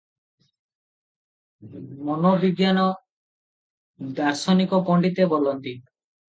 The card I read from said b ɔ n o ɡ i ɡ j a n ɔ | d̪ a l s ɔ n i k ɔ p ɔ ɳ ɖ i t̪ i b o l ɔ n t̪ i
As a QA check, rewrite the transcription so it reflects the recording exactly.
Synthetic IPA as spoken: m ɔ n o b i ɡ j a n ɔ | d̪ a ɾ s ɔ n i k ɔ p ɔ ɳ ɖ i t̪ e b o l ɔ n t̪ i